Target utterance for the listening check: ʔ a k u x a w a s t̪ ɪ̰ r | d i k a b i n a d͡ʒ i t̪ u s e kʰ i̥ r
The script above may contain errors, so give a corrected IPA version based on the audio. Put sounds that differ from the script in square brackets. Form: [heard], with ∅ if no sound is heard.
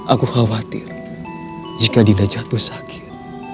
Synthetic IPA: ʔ a k u x a w a [∅] t̪ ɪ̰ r | [d͡ʒ] i k a [d] i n a d͡ʒ [a] t̪ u s [a] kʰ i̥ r